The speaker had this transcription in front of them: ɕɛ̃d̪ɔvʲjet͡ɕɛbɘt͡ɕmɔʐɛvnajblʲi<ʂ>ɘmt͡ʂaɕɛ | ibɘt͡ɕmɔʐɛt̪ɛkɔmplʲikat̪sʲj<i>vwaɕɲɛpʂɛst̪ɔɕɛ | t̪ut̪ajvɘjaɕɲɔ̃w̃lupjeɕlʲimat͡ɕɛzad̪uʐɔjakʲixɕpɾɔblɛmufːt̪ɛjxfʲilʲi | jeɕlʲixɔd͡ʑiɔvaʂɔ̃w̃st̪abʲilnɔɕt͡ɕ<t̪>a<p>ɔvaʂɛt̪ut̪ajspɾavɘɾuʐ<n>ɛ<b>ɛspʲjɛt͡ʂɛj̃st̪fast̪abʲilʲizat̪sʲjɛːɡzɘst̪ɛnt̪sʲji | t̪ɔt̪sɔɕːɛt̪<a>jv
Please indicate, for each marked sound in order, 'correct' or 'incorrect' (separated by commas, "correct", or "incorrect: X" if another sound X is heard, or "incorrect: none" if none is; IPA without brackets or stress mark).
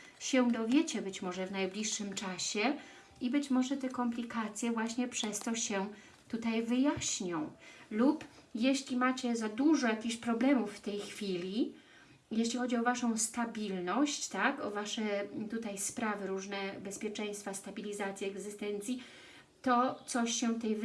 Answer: incorrect: ʂː, incorrect: ɛ, correct, incorrect: k, correct, correct, incorrect: ɛ